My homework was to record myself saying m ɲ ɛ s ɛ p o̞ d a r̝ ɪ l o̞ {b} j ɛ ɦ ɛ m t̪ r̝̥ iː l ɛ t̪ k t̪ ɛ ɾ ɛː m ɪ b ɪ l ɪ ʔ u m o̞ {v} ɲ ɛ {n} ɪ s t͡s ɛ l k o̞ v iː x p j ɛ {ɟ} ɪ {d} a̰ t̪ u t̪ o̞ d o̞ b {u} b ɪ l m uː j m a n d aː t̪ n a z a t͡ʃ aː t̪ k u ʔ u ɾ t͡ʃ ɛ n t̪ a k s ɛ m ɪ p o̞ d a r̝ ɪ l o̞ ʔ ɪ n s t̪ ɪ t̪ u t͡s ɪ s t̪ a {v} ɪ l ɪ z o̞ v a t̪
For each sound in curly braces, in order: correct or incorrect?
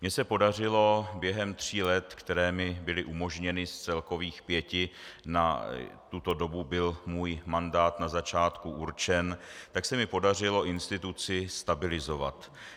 correct, incorrect: ʒ, correct, incorrect: c, incorrect: n, correct, incorrect: b

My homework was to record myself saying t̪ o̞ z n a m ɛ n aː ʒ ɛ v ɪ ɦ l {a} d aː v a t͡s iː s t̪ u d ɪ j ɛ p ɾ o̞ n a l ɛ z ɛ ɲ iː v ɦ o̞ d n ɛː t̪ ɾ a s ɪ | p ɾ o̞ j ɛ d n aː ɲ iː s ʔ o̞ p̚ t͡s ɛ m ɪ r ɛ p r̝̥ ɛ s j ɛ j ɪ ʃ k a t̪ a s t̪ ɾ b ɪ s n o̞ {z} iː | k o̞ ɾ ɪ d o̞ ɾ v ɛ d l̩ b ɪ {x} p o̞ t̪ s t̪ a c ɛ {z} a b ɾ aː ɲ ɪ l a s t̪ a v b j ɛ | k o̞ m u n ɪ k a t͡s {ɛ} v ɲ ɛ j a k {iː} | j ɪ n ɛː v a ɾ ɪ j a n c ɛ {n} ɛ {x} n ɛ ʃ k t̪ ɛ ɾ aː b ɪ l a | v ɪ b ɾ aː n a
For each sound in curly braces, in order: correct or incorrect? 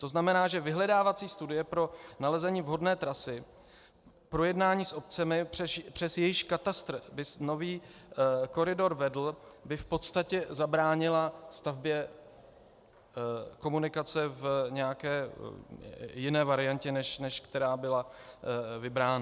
incorrect: ɛ, incorrect: v, incorrect: f, correct, correct, incorrect: ɛː, correct, incorrect: ʃ

